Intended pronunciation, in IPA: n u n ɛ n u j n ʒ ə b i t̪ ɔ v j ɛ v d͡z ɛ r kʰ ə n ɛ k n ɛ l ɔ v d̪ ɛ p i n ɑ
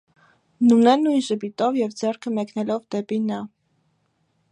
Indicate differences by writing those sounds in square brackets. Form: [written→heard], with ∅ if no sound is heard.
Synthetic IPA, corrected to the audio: n u n ɛ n u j n ʒ ə b i t̪ ɔ v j ɛ v d͡z ɛ r kʰ ə [n→m] ɛ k n ɛ l ɔ v d̪ ɛ p i n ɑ

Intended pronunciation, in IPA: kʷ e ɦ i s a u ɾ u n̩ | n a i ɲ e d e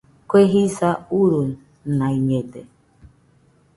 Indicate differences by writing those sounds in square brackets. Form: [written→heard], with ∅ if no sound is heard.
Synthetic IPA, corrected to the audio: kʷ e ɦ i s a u ɾ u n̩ | n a i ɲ e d e

